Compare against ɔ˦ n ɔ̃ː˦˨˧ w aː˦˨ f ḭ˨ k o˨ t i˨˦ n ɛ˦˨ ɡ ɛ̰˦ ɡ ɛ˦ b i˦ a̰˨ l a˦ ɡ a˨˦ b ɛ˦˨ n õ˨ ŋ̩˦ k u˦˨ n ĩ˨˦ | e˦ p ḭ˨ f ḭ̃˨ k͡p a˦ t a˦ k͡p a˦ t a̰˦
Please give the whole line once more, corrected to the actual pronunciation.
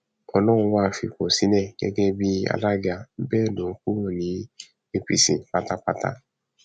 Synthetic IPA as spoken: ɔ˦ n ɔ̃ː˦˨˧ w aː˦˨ f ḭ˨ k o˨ s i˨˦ n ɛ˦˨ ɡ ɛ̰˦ ɡ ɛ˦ b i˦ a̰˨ l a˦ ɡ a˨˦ b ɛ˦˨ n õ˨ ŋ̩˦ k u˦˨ n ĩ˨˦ | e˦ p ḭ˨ s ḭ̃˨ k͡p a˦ t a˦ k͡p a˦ t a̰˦

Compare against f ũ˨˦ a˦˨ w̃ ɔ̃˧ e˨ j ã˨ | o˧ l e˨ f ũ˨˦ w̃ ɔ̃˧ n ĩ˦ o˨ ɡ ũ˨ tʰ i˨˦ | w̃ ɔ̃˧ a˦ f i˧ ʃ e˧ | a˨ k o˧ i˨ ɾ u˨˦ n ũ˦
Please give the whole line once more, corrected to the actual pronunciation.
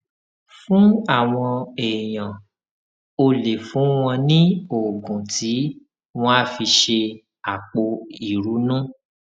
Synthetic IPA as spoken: f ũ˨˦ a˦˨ w̃ ɔ̃˧ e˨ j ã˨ | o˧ l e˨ f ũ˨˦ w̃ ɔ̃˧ n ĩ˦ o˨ ɡ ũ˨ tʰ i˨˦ | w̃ ɔ̃˧ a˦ f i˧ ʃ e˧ | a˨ k͡p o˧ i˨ ɾ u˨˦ n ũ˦

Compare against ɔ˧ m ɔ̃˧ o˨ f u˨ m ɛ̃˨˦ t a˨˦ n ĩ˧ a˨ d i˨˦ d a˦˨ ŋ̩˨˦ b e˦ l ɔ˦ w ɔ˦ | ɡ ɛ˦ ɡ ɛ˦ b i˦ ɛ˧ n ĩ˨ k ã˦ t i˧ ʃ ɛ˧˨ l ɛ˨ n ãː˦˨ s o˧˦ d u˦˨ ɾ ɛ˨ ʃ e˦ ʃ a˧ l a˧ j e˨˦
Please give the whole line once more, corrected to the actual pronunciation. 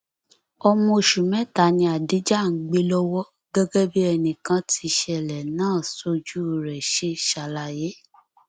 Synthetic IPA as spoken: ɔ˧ m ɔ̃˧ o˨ ʃ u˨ m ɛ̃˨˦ t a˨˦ n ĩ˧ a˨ d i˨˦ d͡ʒ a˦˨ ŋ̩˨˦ ɡ͡b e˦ l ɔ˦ w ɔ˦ | ɡ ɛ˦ ɡ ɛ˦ b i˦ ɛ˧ n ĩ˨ k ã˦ t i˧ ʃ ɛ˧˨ l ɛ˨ n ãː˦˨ s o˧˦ d͡ʒ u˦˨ ɾ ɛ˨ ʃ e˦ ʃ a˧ l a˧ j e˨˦

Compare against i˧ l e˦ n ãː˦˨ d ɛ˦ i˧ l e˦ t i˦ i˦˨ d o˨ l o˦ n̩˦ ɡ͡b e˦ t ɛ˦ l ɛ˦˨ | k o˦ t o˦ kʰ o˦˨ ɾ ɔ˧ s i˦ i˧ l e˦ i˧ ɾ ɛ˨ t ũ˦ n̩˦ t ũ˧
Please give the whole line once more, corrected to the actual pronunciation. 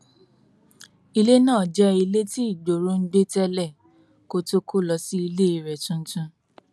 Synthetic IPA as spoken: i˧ l e˦ n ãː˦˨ d͡ʒ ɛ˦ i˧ l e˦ t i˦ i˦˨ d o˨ ɾ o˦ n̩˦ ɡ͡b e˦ t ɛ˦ l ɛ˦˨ | k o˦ t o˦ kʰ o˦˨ l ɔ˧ s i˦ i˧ l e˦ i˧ ɾ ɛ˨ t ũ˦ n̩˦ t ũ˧

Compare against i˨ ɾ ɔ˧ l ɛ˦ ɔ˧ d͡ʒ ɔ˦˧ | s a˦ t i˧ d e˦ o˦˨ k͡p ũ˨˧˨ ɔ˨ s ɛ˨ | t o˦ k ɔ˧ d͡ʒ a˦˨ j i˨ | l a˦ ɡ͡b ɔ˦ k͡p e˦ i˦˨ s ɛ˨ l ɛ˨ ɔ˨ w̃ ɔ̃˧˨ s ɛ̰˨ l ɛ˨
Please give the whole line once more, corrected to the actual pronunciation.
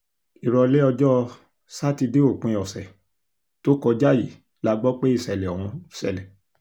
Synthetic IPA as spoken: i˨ ɾ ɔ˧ l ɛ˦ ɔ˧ d͡ʒ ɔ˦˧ | s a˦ t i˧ d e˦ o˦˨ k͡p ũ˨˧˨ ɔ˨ s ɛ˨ | t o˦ k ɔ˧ d͡ʒ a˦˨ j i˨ | l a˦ ɡ͡b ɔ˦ k͡p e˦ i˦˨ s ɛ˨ l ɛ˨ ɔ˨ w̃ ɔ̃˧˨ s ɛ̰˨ l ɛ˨

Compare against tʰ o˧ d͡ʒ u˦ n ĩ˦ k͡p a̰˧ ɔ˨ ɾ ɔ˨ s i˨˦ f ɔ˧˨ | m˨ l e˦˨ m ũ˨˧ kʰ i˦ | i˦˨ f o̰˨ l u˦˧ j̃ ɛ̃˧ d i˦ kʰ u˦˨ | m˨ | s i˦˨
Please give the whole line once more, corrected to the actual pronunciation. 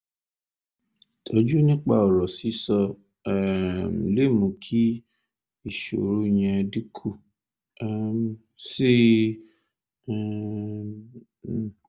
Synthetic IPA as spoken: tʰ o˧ d͡ʒ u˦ n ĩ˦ k͡p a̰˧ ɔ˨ ɾ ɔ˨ s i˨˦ s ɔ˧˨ | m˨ l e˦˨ m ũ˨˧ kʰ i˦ | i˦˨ ʃ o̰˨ ɾ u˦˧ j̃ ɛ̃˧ d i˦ kʰ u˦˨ | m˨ | s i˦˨

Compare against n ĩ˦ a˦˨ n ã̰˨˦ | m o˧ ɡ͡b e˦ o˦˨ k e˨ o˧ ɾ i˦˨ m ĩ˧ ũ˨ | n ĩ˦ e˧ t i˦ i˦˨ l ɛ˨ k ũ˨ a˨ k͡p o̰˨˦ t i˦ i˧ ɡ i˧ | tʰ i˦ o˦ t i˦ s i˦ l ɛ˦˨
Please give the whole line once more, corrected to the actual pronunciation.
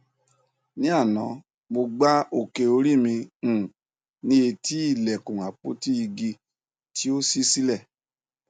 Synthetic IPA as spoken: n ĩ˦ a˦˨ n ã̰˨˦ | m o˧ ɡ͡b a˦ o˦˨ k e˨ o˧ ɾ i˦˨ m ĩ˧ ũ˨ | n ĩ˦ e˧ t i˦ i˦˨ l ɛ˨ k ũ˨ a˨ k͡p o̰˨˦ t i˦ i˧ ɡ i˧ | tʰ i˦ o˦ s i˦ s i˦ l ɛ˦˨

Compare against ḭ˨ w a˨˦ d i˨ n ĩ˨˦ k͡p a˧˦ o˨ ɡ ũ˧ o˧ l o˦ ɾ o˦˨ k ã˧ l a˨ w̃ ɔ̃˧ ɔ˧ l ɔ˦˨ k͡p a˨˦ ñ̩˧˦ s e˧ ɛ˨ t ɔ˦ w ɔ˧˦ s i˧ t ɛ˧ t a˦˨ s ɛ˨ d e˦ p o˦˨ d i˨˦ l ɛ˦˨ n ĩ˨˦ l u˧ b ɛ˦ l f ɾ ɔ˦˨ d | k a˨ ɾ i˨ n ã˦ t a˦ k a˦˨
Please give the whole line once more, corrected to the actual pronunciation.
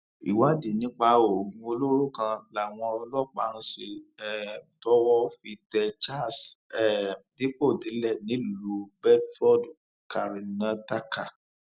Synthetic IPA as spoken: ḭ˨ w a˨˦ d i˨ n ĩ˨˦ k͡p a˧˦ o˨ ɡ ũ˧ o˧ l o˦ ɾ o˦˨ k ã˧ l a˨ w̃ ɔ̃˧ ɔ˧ l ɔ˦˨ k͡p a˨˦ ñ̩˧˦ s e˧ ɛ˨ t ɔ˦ w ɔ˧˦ f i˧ t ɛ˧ t͡ʃ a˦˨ s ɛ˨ d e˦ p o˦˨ d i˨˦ l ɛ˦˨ n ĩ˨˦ l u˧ b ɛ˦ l f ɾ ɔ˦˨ d | k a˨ ɾ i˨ n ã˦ t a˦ k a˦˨

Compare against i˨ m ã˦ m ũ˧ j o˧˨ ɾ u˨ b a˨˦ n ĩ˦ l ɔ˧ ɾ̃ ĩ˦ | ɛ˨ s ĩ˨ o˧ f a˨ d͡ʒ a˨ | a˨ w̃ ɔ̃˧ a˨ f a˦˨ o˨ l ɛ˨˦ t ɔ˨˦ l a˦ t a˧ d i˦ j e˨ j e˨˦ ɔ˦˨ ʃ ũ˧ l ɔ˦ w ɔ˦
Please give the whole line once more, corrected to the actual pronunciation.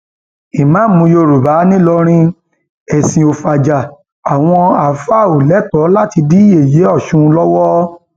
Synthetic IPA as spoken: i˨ m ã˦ m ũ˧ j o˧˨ ɾ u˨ b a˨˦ n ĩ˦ l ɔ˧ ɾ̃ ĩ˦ | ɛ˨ s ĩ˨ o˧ f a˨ d͡ʒ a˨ | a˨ w̃ ɔ̃˧ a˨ f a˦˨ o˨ l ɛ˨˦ t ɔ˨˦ l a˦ t i˧ d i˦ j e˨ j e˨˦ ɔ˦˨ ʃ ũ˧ l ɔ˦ w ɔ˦

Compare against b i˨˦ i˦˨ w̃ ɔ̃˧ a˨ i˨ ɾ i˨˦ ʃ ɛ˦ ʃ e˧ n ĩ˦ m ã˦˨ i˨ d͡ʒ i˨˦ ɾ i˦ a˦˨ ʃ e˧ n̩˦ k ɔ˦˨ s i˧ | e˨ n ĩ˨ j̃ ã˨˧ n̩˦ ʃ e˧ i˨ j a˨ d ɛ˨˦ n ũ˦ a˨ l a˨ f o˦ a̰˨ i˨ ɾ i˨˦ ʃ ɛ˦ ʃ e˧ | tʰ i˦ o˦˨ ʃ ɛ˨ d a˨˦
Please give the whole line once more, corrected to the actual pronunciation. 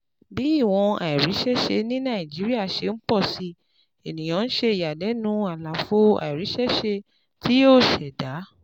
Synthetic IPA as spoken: b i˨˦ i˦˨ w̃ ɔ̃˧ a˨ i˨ ɾ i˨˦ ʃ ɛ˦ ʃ e˧ n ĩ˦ n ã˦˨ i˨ d͡ʒ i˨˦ ɾ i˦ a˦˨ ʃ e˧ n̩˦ k͡p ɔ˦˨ s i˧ | e˨ n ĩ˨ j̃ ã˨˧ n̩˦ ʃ e˧ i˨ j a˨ d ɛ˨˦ n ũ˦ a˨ l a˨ f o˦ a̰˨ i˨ ɾ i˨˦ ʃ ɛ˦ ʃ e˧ | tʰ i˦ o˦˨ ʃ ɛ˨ d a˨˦

